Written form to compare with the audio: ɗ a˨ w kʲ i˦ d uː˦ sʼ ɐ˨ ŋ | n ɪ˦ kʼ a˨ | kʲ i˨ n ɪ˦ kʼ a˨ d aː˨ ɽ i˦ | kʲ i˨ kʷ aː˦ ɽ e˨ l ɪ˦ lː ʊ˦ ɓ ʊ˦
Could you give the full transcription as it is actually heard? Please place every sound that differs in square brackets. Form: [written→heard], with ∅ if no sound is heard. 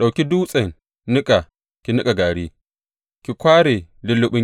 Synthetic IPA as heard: ɗ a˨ w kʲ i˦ d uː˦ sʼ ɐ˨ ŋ | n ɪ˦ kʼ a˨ | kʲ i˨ n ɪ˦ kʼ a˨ [d→ɡ] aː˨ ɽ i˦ | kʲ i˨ kʷ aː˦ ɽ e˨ l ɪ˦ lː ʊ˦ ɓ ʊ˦